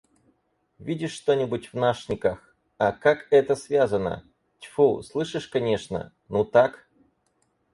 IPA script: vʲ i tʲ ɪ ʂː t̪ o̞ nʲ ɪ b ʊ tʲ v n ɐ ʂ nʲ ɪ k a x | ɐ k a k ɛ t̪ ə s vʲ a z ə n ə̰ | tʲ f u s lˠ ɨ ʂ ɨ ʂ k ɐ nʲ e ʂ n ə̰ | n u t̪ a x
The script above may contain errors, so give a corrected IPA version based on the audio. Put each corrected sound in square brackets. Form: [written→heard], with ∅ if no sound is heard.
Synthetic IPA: vʲ i [tʲ→dʲ] ɪ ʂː t̪ o̞ nʲ ɪ b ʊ tʲ v n [ɐ→a] ʂ nʲ ɪ k a x | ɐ k a k ɛ t̪ ə s vʲ a z ə n ə̰ | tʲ f u s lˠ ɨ ʂ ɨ ʂ k ɐ nʲ e ʂ n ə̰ | n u t̪ a [x→k]